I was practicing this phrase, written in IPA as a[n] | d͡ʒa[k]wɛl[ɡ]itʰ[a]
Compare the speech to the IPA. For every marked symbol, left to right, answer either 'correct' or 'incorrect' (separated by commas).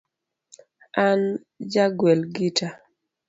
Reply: correct, incorrect, correct, correct